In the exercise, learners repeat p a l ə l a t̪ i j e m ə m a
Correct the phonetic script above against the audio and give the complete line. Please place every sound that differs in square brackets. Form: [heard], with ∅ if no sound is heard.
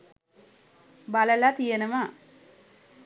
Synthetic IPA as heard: [b] a l ə l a t̪ i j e [n] ə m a